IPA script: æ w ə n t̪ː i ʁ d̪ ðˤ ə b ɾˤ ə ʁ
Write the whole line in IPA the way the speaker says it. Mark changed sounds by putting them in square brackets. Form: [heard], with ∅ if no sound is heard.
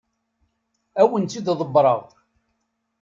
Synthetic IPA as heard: æ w ə n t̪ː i [∅] d̪ ðˤ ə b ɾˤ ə ʁ